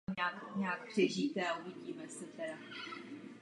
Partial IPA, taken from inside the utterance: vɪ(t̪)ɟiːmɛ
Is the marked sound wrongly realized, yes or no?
yes